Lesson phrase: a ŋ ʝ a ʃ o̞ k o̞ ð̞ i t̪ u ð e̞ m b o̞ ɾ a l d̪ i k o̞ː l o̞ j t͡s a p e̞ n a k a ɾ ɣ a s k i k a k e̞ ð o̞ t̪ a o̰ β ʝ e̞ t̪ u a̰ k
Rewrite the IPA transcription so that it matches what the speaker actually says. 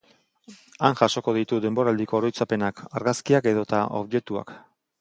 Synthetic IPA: a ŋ ʝ a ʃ o̞ k o̞ ð̞ i t̪ u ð e̞ m b o̞ ɾ a l d̪ i k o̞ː ɾ o̞ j t͡s a p e̞ n a k a ɾ ɣ a s k i a k e̞ ð o̞ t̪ a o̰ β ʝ e̞ t̪ u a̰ k